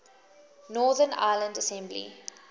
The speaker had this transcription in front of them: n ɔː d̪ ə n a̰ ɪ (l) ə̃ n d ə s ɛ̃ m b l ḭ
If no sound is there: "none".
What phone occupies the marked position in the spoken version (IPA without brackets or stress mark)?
l